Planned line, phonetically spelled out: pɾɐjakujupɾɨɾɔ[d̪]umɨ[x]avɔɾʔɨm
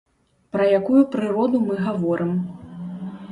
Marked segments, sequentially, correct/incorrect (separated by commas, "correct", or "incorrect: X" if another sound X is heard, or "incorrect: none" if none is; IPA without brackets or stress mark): correct, incorrect: ɣ